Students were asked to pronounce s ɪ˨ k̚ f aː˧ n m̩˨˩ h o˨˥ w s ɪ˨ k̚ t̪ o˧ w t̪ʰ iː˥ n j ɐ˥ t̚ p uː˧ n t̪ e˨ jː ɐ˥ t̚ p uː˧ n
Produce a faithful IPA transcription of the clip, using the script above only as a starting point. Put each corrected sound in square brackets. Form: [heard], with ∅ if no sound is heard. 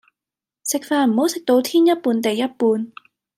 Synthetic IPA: s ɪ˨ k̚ f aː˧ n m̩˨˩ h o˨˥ w s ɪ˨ k̚ t̪ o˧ w t̪ʰ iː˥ n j ɐ˥ t̚ p uː˧ n t̪ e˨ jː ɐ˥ t̚ p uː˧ n